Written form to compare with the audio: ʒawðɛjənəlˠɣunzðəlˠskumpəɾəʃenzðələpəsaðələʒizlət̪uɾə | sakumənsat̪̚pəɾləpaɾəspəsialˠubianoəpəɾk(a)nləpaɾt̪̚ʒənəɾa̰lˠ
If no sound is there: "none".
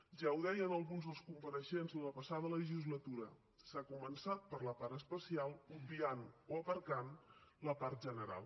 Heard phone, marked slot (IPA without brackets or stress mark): a